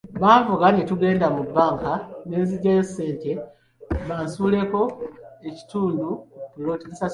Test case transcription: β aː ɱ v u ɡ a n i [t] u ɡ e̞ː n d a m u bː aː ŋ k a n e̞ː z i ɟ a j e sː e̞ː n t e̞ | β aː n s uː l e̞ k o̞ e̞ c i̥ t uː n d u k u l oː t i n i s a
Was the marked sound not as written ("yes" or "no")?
no